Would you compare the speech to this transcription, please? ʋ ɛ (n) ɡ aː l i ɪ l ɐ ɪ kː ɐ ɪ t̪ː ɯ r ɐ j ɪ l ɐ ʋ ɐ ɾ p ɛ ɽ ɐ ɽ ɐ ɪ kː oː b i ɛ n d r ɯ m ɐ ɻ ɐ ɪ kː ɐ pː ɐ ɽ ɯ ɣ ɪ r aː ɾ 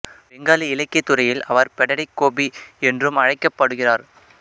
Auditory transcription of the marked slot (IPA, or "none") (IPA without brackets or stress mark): ŋ